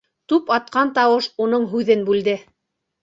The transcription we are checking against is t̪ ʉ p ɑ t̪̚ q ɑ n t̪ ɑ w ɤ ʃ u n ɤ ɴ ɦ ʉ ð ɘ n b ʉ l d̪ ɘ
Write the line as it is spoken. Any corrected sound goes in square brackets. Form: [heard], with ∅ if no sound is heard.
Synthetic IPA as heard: t̪ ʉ p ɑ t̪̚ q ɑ n t̪ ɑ w ɤ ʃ u n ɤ ɴ ɦ ʉ ð ɘ n b ʉ l d̪ ɘ